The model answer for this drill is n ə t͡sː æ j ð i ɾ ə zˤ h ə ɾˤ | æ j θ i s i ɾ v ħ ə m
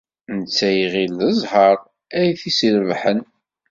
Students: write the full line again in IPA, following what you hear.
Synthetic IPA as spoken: n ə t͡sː æ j ʁ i l ə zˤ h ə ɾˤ | æ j θ i s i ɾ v ħ ə n